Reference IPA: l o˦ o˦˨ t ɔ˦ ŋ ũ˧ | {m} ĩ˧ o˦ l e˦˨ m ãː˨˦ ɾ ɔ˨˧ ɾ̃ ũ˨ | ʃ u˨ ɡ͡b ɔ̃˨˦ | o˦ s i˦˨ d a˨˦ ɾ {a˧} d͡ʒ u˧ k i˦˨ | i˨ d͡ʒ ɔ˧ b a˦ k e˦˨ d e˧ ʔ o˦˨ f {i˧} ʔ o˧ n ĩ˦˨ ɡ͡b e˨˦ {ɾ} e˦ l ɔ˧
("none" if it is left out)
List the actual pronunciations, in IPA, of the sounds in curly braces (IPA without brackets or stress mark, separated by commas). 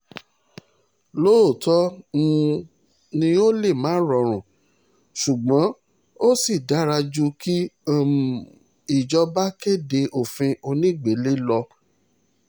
n, a˧, ĩ˧, l